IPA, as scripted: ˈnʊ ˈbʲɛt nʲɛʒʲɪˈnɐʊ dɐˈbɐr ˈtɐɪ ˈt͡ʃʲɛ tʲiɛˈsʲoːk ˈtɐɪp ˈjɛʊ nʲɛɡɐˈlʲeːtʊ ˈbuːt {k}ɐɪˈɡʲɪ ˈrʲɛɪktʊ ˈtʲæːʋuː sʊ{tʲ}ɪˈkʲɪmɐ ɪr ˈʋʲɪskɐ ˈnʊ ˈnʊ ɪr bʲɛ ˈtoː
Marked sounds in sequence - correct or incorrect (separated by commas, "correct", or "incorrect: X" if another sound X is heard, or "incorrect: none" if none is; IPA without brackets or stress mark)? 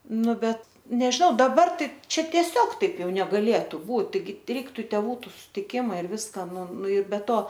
incorrect: t, correct